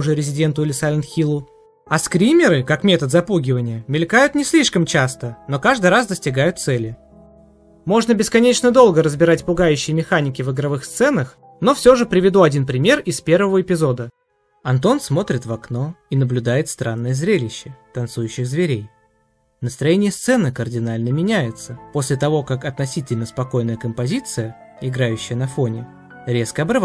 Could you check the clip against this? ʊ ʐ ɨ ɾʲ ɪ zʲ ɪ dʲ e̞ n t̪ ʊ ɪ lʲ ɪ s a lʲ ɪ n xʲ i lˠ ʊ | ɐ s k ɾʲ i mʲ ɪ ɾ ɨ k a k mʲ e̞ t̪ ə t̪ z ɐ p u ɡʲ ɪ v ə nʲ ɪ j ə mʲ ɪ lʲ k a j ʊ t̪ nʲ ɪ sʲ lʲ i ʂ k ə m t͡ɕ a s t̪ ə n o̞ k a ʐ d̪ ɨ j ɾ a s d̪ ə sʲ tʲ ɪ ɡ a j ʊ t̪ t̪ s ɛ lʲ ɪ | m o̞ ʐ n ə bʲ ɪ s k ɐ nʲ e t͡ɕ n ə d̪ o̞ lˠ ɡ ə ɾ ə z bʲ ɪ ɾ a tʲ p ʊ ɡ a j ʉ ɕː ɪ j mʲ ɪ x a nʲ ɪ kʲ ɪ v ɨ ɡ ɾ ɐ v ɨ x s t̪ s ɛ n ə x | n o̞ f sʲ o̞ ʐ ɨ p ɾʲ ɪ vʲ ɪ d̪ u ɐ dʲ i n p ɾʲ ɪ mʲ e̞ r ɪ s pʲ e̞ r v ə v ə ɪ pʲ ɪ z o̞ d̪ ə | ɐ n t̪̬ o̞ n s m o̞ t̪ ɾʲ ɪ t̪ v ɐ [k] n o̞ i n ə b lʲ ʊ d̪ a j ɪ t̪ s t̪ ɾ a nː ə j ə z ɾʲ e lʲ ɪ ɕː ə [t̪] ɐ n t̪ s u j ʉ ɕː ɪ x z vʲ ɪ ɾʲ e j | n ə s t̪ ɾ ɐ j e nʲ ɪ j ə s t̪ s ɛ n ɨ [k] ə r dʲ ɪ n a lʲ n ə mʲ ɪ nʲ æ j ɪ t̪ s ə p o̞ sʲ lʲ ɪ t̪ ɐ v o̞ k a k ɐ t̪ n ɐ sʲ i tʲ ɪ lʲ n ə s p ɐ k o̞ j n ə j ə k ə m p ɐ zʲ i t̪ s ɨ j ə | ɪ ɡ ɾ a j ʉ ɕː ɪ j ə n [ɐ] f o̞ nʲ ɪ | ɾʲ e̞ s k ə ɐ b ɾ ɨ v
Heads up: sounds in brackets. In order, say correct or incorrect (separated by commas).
correct, correct, correct, correct